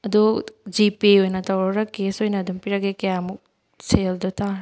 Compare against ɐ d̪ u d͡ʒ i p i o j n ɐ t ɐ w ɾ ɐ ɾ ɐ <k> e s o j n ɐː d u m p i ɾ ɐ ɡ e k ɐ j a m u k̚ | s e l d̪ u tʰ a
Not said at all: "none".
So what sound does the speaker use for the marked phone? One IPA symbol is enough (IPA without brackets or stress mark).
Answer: k